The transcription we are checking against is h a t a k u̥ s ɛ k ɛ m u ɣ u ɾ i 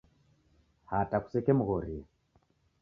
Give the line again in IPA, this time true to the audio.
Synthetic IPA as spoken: h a t a k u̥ s ɛ k ɛ m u ɣ ɔ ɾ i